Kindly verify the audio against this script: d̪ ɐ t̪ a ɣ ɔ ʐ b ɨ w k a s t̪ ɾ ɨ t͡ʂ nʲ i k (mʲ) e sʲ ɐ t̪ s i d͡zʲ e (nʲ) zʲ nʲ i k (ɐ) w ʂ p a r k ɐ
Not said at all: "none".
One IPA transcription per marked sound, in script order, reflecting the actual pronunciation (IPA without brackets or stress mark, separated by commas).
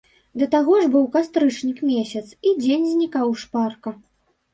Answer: mʲ, nʲ, a